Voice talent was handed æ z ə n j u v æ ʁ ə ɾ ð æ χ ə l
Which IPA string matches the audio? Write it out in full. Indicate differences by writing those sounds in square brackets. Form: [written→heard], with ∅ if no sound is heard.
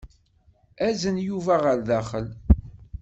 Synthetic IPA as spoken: æ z ə n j u v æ ʁ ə ɾ ð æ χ ə l